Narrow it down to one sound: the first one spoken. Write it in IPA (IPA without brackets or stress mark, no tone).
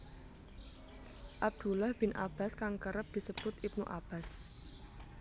ʔ